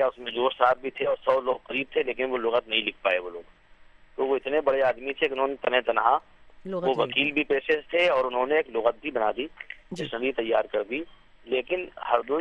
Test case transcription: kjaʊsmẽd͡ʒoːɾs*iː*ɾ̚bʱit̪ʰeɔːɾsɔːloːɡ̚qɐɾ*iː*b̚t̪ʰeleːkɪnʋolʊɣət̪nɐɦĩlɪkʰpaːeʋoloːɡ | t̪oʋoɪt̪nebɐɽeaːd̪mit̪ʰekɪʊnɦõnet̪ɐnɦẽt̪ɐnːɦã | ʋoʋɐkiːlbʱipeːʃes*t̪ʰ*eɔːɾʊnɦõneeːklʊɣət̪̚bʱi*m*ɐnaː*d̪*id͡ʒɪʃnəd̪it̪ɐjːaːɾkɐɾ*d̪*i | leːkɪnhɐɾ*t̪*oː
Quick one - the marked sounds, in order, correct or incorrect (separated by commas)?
incorrect, correct, correct, incorrect, correct, correct, incorrect